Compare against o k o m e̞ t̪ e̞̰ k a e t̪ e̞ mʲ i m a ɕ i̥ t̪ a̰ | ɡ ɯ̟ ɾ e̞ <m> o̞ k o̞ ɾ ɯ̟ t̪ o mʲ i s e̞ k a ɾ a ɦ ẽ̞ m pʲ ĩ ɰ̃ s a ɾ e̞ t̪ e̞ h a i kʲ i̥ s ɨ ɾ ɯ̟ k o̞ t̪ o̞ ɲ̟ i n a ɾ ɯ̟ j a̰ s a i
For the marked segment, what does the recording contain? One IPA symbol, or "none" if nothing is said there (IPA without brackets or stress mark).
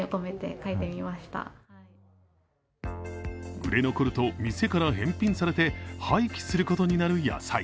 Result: n